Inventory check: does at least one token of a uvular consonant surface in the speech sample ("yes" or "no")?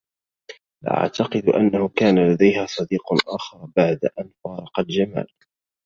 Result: yes